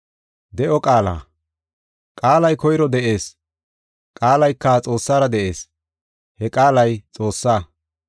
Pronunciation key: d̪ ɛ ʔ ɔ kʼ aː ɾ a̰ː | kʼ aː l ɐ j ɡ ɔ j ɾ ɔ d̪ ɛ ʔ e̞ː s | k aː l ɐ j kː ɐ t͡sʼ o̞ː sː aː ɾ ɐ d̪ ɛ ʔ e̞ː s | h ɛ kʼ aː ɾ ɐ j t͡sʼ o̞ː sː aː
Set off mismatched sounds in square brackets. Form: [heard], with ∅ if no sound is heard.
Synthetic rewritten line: d̪ ɛ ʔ ɔ kʼ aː [l] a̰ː | kʼ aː l ɐ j [k] ɔ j ɾ ɔ d̪ ɛ ʔ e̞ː s | [kʼ] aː l ɐ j kː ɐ t͡sʼ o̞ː sː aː ɾ ɐ d̪ ɛ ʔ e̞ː s | h ɛ kʼ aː [l] ɐ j t͡sʼ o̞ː sː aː